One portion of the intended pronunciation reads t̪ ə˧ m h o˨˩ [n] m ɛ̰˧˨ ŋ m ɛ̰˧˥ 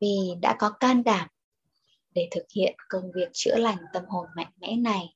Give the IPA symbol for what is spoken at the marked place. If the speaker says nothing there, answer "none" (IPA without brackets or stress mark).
n